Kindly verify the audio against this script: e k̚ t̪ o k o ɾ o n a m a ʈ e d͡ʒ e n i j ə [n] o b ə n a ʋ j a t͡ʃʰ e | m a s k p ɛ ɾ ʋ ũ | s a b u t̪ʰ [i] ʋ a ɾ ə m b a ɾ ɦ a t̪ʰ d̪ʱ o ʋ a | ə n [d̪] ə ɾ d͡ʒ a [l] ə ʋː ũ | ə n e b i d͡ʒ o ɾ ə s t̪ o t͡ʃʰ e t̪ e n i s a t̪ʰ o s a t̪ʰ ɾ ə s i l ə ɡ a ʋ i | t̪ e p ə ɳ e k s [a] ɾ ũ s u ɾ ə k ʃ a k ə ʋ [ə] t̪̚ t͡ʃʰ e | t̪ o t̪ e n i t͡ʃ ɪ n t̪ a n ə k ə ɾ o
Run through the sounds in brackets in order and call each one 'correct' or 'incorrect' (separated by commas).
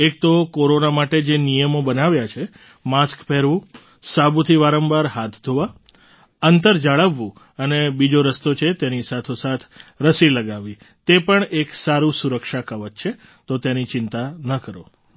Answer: incorrect, correct, incorrect, incorrect, correct, correct